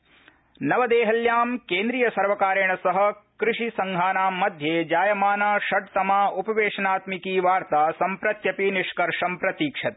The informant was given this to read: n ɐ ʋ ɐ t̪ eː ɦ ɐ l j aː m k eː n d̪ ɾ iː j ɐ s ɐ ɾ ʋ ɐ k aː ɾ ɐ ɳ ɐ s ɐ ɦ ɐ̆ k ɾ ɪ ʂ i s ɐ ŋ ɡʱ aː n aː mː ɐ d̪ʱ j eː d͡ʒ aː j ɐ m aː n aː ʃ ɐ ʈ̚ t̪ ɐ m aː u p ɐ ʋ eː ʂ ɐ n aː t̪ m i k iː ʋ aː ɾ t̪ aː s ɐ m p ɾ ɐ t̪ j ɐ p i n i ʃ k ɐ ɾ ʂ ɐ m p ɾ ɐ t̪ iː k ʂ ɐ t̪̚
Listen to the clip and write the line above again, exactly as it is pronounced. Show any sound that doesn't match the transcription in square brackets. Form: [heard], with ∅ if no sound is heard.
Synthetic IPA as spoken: n ɐ ʋ ɐ [d̪] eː ɦ ɐ l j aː m k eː n d̪ ɾ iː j ɐ s ɐ ɾ ʋ ɐ k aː ɾ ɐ ɳ ɐ s ɐ ɦ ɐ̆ k ɾ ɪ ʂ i s ɐ ŋ ɡʱ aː n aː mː ɐ d̪ʱ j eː d͡ʒ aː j ɐ m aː n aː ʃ ɐ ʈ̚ t̪ ɐ m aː u p ɐ ʋ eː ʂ ɐ n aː t̪ m i k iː ʋ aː ɾ t̪ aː s ɐ m p ɾ ɐ t̪ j ɐ p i n i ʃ k ɐ ɾ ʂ ɐ m p ɾ ɐ t̪ iː k ʂ ɐ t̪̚